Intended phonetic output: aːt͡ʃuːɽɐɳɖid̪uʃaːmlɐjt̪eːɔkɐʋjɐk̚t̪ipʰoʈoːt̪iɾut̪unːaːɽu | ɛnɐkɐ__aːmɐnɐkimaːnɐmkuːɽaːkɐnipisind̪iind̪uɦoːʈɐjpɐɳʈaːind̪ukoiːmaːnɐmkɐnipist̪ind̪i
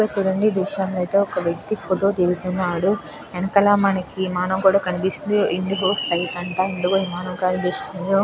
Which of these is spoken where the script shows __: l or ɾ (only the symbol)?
l